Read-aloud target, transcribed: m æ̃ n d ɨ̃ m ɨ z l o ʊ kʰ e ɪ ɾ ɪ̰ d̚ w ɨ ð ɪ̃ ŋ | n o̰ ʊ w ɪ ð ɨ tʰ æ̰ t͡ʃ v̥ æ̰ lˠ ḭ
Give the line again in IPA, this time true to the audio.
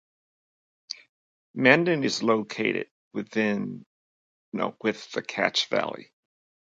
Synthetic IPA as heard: m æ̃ n d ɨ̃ n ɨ z l o ʊ kʰ e ɪ ɾ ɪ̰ d̚ w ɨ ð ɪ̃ n | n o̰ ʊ w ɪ ð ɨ kʰ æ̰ t͡ʃ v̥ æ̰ lˠ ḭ

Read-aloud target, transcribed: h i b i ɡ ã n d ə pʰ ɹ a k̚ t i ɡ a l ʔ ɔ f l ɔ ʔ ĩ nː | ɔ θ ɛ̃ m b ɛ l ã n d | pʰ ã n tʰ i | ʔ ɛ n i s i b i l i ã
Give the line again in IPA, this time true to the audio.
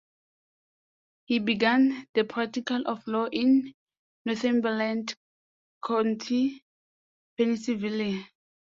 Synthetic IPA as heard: h i b i ɡ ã n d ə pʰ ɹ a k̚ t i k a l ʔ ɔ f l ɔ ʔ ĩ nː | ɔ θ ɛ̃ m b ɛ l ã n d | kʰ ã n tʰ i | p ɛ n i s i v i l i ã

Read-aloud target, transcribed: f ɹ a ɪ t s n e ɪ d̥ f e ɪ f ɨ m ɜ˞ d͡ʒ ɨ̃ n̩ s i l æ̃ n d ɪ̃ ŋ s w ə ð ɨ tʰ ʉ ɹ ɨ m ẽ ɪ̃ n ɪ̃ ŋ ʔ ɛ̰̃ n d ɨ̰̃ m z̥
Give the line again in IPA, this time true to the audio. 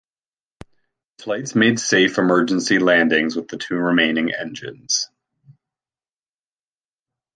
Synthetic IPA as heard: f l a ɪ t s m e ɪ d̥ s e ɪ f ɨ m ɜ˞ d͡ʒ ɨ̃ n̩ s i l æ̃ n d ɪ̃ ŋ z w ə ð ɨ tʰ ʉ ɹ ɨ m ẽ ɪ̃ n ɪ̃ ŋ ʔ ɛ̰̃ n d͡ʒ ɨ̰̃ n z̥

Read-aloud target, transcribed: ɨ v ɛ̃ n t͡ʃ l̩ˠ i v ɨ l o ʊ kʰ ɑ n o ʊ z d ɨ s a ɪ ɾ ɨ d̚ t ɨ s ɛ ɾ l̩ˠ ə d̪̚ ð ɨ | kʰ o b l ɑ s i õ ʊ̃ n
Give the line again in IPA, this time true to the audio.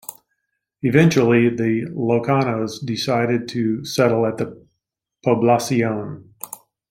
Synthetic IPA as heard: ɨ v ɛ̃ n t͡ʃ l̩ˠ i ð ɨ l o ʊ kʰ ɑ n o ʊ z d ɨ s a ɪ ɾ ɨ d̚ tʰ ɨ s ɛ ɾ l̩ˠ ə t̪̚ ð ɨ | pʰ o b l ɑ s i õ ʊ̃ n

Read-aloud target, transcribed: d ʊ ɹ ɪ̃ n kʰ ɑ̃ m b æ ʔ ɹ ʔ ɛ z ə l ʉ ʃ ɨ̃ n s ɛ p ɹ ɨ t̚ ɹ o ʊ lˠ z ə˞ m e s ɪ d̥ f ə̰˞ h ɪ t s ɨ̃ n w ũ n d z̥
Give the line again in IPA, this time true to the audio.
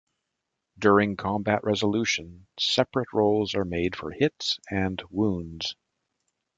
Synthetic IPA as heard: d ʊ ɹ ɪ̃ ŋ kʰ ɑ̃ m b æ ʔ ɹ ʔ ɛ z ə l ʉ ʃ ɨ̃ n s ɛ p ɹ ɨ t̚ ɹ o ʊ lˠ z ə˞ m e ɪ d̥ f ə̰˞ h ɪ t s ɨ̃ n w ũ n d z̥

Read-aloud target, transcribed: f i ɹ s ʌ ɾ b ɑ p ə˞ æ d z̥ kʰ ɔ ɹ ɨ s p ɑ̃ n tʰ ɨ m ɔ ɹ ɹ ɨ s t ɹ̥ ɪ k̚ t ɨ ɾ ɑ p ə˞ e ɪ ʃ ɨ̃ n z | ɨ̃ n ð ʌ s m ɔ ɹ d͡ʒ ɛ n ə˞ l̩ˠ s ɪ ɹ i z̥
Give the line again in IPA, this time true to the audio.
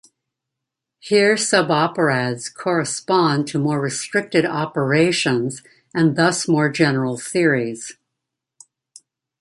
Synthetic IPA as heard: h i ɹ s ʌ b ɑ p ə˞ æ d z̥ kʰ ɔ ɹ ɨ s p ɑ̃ n tʰ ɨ m ɔ ɹ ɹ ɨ s t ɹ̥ ɪ k̚ t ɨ ɾ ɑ p ə˞ e ɪ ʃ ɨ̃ n z | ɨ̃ n ð ʌ s m ɔ ɹ d͡ʒ ɛ n ə˞ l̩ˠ θ ɪ ɹ i z̥

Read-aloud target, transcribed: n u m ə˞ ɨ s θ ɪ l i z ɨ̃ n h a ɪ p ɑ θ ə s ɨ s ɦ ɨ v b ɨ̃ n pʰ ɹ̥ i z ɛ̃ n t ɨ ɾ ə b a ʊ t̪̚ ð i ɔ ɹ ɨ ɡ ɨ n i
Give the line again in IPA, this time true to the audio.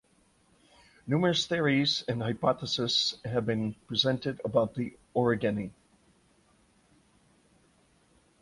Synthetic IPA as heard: n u m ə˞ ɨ s θ ɪ ɹ i z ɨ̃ n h a ɪ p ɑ θ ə s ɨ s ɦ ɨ v b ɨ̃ n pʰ ɹ̥ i z ɛ̃ n t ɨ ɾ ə b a ʊ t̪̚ ð i ɔ ɹ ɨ ɡ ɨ n i

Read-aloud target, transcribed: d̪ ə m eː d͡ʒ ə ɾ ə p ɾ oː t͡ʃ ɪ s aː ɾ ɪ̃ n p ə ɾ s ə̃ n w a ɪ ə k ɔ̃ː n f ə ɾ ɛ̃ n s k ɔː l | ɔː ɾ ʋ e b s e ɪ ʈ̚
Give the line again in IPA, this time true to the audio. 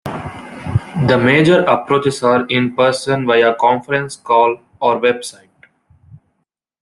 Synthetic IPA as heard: d̪ ə m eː d͡ʒ ə ɾ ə p ɾ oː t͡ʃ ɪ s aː ɾ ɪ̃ n p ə ɾ s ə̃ n ʋ a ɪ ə k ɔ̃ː n f ə ɾ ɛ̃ n s k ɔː l | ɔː ɾ ʋ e b s a ɪ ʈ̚

